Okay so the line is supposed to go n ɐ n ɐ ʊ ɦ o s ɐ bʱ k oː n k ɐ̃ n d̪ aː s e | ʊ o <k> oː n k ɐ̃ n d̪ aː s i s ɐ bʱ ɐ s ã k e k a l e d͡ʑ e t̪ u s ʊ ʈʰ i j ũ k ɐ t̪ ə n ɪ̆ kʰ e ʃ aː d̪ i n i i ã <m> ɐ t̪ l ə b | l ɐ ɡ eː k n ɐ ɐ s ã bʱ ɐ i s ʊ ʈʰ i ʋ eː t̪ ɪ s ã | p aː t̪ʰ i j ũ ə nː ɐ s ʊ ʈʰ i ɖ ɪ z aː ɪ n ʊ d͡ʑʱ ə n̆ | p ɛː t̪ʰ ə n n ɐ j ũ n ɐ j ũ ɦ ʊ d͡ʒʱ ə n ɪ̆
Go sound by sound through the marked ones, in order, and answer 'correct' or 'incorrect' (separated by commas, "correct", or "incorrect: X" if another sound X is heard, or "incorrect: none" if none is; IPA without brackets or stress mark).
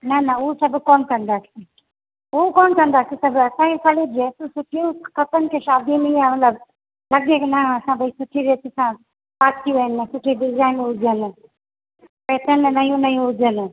correct, correct